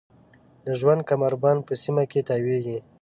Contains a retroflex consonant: no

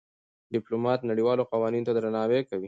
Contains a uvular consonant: yes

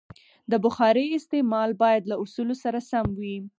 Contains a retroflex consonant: no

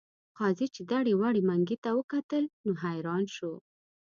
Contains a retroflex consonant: yes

